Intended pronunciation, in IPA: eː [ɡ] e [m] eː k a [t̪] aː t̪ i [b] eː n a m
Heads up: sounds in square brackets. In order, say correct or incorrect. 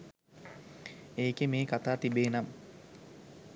incorrect, correct, correct, correct

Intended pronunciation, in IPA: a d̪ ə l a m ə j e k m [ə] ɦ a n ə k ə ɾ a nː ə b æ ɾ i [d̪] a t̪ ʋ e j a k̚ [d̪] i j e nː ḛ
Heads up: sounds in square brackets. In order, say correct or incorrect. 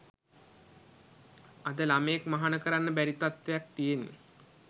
incorrect, incorrect, incorrect

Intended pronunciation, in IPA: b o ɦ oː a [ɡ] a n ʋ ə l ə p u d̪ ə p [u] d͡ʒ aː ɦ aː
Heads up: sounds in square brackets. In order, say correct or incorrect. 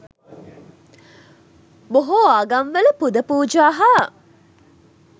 correct, incorrect

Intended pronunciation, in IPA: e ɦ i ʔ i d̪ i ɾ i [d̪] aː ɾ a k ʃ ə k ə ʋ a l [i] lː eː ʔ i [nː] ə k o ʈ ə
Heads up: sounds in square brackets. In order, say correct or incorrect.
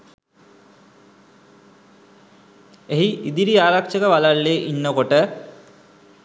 incorrect, incorrect, correct

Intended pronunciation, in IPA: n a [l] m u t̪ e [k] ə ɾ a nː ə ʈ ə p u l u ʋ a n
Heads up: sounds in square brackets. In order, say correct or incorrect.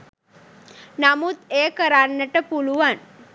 incorrect, correct

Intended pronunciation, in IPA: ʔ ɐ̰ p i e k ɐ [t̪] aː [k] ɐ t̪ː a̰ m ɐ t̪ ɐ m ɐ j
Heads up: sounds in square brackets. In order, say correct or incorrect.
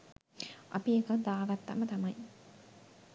incorrect, incorrect

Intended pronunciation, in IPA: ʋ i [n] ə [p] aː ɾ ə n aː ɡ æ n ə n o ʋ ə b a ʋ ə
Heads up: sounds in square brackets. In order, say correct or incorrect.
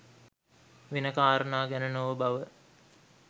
correct, incorrect

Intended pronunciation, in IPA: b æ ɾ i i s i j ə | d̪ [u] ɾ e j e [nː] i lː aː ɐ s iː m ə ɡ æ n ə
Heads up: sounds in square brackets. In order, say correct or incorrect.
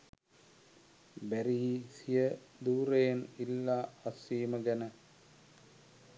incorrect, incorrect

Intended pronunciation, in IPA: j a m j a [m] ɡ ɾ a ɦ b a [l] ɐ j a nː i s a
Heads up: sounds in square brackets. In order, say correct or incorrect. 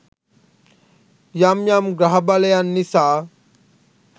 correct, correct

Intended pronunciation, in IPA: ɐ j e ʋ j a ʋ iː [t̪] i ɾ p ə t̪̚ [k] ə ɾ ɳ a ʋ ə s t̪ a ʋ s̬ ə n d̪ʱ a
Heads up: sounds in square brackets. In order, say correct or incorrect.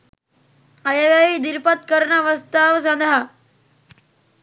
incorrect, correct

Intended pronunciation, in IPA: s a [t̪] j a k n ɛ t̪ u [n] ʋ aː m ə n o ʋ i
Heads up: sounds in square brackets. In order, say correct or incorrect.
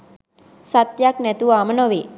correct, incorrect

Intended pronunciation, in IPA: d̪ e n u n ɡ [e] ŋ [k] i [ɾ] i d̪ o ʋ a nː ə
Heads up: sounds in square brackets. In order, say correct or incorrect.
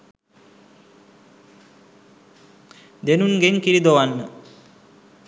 correct, correct, correct

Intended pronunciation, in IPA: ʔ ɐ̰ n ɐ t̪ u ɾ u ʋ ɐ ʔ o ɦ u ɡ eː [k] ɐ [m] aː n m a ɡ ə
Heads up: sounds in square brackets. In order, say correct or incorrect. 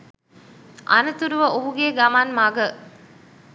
incorrect, correct

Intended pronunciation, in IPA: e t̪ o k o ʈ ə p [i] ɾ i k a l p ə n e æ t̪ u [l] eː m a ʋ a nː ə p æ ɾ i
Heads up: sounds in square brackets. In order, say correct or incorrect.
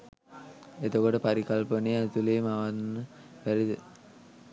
incorrect, correct

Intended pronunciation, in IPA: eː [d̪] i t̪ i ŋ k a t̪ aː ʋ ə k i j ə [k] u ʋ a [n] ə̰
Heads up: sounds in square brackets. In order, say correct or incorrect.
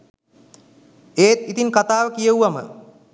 incorrect, incorrect, incorrect

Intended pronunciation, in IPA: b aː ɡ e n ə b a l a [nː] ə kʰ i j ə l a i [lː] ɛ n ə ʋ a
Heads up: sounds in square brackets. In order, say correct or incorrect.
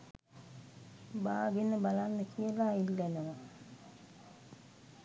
correct, correct

